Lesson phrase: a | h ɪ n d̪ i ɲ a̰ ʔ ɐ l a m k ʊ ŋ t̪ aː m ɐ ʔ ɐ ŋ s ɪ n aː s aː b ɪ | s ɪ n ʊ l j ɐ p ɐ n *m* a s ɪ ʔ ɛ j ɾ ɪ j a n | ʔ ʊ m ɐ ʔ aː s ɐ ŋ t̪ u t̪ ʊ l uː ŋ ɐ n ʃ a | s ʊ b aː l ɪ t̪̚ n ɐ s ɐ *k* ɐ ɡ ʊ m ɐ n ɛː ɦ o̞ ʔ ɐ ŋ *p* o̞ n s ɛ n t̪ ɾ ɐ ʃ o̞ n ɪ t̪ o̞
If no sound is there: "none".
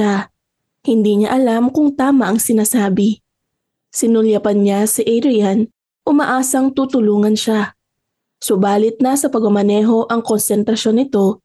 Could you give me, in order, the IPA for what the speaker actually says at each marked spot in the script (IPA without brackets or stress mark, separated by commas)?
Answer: ɲ, p, k